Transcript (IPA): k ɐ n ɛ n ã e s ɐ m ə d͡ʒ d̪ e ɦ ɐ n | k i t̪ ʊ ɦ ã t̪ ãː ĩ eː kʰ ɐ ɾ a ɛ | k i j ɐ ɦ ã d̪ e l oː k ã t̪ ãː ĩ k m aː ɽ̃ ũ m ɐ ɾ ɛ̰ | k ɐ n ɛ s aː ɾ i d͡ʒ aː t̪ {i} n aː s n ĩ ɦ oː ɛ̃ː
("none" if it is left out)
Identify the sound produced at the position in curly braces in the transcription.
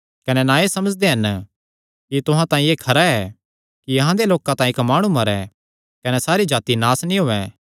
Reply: i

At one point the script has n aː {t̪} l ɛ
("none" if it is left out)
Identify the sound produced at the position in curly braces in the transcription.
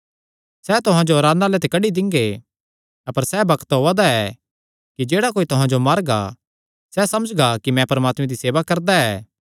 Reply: none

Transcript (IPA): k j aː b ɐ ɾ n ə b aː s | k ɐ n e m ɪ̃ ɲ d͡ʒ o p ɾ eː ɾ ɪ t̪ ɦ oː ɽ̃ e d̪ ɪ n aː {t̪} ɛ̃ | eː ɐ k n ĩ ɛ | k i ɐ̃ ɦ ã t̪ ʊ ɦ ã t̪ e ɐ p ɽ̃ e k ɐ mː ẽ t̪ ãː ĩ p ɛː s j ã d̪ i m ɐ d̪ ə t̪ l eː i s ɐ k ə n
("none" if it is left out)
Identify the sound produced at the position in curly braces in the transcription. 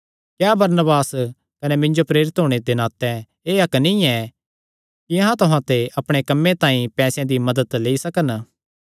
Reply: t̪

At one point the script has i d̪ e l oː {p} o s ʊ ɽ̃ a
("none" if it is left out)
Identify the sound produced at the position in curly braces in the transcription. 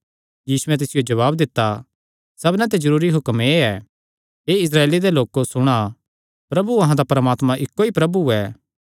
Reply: k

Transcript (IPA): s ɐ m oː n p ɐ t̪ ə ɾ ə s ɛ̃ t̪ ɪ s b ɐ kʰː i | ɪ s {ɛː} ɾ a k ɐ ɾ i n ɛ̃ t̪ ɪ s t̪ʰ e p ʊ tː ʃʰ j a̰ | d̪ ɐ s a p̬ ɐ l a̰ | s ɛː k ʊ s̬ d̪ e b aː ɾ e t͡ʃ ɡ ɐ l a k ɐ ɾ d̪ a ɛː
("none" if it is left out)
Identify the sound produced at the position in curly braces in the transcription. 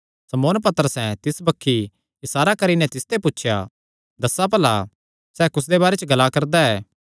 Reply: aː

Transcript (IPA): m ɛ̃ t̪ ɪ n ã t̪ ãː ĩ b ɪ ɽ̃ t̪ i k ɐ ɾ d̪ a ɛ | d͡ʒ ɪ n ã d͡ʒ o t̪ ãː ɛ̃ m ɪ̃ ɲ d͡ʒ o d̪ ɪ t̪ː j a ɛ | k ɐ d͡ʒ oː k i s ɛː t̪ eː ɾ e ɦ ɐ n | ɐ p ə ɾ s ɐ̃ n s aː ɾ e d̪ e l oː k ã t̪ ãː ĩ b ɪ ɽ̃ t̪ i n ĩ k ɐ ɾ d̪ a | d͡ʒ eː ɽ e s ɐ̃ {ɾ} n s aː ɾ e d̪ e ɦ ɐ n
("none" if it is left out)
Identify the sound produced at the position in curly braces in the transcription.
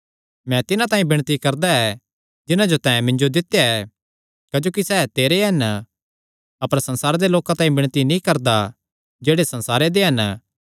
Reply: none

